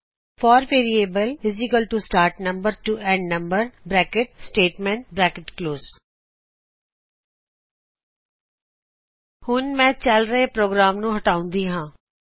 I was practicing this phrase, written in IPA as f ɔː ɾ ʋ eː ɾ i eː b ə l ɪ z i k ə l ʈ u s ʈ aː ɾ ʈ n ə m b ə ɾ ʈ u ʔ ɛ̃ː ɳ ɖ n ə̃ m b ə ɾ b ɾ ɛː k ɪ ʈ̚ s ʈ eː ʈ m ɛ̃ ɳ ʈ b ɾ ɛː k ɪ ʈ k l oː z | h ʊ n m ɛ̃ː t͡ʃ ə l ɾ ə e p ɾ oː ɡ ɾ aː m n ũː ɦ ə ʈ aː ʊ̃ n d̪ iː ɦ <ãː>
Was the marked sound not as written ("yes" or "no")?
no